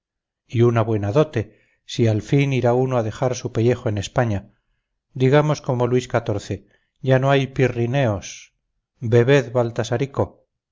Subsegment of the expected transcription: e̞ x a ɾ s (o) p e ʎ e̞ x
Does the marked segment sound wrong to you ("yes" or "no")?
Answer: yes